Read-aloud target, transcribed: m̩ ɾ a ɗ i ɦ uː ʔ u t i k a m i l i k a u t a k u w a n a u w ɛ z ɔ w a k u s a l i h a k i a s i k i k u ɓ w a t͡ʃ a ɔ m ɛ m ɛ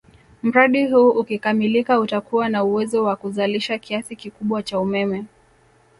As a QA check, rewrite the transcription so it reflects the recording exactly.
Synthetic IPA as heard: m̩ ɾ a ɗ i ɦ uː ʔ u k i k a m i l i k a u t a k u w a n a u w ɛ z ɔ w a k u z a l i ʃ a k i a s i k i k u ɓ w a t͡ʃ a u m ɛ m ɛ